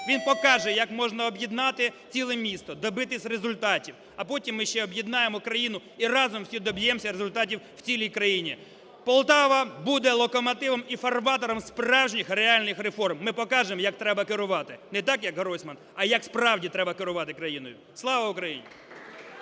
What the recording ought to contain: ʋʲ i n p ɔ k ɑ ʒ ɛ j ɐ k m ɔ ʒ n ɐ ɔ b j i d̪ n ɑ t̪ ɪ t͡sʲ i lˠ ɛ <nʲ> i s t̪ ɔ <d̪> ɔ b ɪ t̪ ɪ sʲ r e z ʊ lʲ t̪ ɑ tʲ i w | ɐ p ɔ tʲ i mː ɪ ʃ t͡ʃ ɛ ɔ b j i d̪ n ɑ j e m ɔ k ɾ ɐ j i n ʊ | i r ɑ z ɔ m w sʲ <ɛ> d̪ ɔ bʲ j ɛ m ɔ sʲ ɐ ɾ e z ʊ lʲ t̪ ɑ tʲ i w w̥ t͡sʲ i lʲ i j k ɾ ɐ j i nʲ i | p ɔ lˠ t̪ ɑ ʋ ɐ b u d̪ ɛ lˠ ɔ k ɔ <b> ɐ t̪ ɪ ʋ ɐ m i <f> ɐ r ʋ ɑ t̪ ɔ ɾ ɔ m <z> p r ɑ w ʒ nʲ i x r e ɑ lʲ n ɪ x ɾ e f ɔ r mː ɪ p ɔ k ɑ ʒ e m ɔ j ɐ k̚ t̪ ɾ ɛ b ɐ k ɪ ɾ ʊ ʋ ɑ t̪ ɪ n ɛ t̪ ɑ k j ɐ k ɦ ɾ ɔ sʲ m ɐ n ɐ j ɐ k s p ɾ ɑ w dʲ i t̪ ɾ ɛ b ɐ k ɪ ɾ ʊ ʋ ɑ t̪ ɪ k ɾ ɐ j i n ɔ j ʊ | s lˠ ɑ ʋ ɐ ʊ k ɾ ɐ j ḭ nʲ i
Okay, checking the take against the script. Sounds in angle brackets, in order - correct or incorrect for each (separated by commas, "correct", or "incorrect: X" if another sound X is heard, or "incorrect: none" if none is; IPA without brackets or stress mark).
incorrect: mʲ, correct, incorrect: i, incorrect: m, correct, incorrect: s